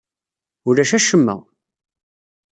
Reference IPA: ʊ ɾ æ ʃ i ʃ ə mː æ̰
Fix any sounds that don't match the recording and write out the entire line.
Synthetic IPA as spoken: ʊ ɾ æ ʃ æ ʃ ə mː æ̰